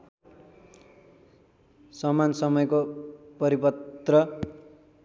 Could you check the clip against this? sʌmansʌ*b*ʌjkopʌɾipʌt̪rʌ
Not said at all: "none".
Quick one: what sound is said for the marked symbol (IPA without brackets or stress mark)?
m